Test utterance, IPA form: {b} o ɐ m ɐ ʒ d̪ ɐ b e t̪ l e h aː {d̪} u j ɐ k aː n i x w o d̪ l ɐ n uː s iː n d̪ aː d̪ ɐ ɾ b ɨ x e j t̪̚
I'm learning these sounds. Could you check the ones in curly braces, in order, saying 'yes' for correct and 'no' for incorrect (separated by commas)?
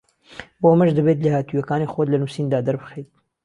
yes, no